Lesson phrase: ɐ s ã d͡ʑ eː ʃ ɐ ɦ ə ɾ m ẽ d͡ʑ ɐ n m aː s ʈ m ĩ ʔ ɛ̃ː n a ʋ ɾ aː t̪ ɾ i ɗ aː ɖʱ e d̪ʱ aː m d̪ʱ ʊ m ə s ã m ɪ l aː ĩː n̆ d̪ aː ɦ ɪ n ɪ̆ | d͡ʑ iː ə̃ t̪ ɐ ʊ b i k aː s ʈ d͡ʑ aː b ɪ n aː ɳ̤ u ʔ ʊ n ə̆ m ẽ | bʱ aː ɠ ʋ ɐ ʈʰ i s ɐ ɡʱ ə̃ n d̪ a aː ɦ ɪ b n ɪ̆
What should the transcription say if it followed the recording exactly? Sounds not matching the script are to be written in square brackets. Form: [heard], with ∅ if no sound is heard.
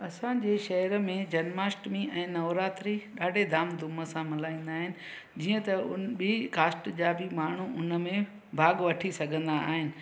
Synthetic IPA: ɐ s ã d͡ʑ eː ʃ ɐ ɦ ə ɾ m ẽ d͡ʑ ɐ n m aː s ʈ m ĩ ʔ ɛ̃ː n [ɐ] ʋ ɾ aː t̪ ɾ i ɗ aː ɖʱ e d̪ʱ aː m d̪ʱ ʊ m ə s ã m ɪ l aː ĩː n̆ d̪ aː ɦ ɪ n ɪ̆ | d͡ʑ iː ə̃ t̪ ɐ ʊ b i k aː s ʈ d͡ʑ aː b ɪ [m] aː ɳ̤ u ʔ ʊ n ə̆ m ẽ | bʱ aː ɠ ʋ ɐ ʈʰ i s ɐ ɡʱ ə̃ n d̪ a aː ɦ ɪ [∅] n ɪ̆